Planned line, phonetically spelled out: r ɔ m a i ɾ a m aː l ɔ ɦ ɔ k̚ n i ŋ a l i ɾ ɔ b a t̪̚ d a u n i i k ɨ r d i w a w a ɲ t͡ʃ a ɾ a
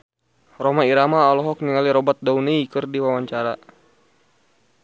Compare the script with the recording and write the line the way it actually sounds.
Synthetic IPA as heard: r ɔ m a i ɾ a m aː l ɔ ɦ ɔ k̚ n i ŋ a l i ɾ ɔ b a t̪̚ d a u n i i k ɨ r d i w a w a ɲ t͡ʃ a ɾ a